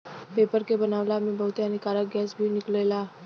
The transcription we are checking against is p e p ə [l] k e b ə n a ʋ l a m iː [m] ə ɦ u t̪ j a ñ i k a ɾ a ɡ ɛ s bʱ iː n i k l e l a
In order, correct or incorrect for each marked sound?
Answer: incorrect, incorrect

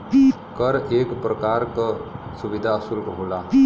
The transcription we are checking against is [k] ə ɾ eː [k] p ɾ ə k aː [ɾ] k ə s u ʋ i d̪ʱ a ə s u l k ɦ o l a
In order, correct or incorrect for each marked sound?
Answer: correct, correct, correct

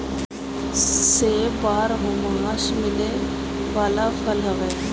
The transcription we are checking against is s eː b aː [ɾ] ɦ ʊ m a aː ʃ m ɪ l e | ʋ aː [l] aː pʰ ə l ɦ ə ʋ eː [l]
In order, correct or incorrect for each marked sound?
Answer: correct, correct, incorrect

